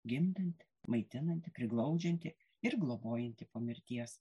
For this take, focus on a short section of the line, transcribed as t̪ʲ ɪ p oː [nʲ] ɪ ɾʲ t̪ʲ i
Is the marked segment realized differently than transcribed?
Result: yes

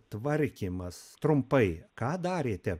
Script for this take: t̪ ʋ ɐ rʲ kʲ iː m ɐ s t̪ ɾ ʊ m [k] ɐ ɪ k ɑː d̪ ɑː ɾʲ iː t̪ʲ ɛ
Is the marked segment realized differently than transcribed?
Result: yes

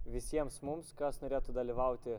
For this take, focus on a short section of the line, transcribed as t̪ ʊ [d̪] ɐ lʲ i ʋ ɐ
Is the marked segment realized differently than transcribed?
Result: no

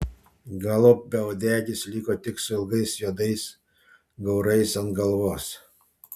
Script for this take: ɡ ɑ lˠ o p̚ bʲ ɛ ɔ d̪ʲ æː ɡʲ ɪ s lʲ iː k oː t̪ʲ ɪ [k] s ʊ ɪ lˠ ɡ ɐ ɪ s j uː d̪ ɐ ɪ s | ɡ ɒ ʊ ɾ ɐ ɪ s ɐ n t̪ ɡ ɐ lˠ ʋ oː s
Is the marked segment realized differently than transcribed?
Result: no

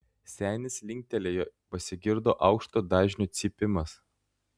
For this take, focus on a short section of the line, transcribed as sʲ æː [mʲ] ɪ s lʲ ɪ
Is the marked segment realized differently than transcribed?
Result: yes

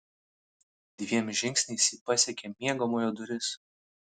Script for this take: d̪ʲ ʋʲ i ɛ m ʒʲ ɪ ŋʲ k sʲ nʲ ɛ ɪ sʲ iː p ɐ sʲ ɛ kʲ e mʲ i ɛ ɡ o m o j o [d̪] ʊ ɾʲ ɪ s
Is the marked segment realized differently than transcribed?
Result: no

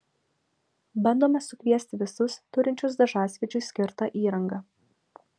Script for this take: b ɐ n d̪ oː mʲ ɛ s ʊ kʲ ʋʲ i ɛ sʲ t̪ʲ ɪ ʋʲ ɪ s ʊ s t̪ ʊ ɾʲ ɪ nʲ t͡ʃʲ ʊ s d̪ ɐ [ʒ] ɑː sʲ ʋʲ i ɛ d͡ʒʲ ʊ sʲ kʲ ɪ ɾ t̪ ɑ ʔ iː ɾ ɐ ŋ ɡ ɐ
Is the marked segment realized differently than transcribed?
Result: no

